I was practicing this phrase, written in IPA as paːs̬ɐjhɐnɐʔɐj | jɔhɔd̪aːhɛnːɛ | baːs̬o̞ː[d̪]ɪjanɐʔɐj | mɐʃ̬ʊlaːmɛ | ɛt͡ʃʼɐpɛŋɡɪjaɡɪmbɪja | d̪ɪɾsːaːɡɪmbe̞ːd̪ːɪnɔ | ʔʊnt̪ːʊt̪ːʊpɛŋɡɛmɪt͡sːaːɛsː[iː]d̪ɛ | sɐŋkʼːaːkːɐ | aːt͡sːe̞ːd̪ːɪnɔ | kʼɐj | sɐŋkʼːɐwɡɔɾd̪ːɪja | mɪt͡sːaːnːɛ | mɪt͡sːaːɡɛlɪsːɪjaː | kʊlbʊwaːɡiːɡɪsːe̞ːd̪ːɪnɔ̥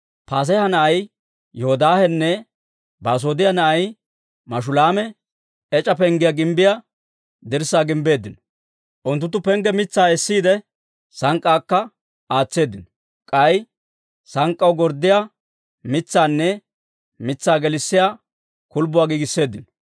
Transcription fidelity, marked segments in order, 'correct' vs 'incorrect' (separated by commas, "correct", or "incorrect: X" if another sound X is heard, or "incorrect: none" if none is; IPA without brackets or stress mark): correct, correct